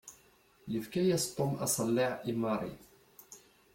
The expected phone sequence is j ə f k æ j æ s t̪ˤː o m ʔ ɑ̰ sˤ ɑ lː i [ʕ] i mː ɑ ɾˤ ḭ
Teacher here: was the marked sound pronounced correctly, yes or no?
yes